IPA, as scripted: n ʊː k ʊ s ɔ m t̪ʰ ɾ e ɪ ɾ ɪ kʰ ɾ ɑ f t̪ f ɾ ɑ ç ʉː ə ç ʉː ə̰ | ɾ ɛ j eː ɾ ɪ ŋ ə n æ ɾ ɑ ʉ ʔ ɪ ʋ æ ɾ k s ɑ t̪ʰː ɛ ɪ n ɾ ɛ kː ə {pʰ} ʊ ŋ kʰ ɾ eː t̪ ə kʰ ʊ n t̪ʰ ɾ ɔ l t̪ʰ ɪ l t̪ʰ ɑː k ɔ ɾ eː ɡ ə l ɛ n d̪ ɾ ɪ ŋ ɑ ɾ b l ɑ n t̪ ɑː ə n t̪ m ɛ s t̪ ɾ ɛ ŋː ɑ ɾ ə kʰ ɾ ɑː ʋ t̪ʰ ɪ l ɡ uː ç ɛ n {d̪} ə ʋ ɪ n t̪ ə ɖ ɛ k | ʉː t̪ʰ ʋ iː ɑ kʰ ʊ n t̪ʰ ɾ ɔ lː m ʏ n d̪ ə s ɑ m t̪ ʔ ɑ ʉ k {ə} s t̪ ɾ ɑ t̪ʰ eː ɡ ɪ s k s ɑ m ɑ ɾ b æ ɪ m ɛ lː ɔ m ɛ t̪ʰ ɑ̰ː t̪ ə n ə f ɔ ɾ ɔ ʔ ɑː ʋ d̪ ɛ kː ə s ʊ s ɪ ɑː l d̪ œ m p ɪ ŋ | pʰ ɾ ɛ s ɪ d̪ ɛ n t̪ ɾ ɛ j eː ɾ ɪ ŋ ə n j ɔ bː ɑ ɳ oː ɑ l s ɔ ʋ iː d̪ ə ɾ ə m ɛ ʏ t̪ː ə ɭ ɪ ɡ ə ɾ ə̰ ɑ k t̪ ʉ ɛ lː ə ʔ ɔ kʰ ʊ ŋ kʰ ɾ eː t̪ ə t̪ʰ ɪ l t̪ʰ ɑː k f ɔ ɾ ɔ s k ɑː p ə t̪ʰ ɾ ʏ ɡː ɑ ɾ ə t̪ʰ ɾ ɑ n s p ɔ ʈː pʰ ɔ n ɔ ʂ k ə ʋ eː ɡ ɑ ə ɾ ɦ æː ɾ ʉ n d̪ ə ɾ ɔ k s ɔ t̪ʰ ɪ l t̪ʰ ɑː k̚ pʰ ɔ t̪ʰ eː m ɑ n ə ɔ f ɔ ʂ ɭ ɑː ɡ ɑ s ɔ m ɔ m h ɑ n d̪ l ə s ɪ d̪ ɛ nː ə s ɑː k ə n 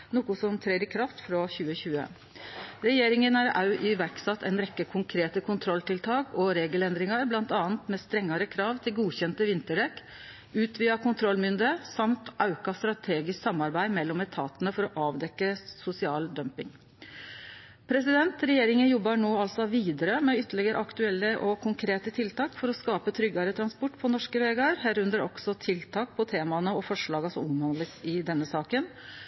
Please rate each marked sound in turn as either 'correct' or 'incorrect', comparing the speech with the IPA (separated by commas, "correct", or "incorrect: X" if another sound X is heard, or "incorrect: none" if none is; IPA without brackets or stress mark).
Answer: incorrect: kʰ, incorrect: t̪, incorrect: ɑ